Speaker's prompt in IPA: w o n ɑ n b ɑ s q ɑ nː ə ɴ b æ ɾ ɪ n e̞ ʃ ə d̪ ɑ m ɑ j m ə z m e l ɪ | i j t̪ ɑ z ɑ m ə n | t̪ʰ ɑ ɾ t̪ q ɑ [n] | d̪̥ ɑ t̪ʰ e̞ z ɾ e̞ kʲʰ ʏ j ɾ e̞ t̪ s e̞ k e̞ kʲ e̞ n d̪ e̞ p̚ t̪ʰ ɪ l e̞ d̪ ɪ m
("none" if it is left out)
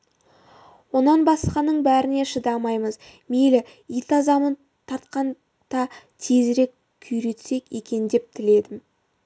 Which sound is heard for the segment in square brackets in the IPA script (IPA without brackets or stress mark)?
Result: n